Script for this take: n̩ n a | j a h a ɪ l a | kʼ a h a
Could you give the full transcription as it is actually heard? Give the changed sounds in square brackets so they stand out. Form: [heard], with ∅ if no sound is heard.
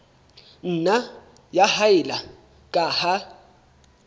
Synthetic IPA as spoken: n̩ n a | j a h a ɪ l a | kʼ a h a